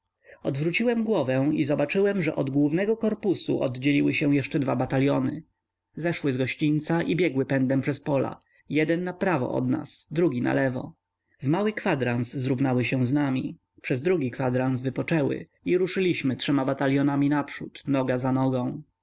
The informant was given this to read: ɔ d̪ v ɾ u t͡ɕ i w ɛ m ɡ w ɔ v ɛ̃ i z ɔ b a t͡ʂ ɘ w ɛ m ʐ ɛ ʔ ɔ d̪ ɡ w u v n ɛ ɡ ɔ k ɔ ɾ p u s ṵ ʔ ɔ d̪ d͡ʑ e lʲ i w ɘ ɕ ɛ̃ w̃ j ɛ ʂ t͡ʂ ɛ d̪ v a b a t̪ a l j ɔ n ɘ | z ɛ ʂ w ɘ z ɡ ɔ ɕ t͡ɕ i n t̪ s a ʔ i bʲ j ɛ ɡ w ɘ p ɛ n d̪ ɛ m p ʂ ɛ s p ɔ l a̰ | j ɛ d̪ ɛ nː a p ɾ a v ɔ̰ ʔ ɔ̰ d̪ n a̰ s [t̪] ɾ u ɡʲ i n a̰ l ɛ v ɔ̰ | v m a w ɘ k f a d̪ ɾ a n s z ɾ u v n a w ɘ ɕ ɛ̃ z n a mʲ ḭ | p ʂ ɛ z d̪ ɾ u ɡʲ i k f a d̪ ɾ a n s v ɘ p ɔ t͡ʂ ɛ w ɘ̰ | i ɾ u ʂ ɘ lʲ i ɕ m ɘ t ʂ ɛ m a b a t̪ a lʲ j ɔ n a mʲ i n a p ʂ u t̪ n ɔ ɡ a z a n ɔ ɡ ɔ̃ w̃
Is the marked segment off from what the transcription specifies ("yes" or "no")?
yes